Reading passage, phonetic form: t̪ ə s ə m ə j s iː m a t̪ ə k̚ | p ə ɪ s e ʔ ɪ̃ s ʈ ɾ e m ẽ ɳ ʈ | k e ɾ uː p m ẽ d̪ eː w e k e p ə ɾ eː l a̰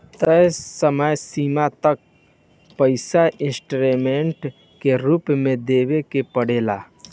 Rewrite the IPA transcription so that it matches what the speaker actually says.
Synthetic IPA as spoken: t̪ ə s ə m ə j s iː m a t̪ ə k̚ | p ə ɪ s a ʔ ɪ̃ s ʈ ɾ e m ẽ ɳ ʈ | k e ɾ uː p m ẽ d̪ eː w e k e p ə ɽ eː l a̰